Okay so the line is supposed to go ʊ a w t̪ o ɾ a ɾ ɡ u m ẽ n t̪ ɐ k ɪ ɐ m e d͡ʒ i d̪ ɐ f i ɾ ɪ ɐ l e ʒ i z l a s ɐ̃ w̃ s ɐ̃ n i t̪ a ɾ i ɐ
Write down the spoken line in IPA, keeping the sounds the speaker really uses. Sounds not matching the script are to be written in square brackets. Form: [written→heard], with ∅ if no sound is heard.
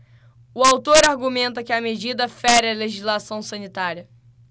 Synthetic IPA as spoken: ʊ a w t̪ o ɾ a ɾ ɡ u m ẽ n t̪ ɐ k ɪ ɐ m e d͡ʒ i d̪ ɐ f [i→ɛ] ɾ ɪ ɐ l e ʒ i z l a s ɐ̃ w̃ s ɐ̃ n i t̪ a ɾ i ɐ